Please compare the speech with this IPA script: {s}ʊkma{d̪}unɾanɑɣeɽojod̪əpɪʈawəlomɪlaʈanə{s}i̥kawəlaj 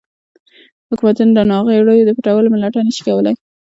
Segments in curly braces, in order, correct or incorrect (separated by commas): incorrect, incorrect, incorrect